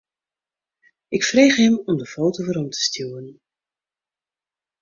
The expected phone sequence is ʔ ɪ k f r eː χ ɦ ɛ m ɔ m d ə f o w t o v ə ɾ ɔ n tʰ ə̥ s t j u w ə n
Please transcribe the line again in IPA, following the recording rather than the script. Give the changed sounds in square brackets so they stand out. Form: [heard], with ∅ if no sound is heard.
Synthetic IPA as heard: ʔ ɪ k f r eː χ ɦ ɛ m ɔ m d ə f o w t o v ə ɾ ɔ [m] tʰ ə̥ s t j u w ə n